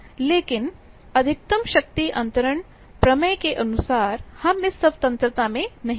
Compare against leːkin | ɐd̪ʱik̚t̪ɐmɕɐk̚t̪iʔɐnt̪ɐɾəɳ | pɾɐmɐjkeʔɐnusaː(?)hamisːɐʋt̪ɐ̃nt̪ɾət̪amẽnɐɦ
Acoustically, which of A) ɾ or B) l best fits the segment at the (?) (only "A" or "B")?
A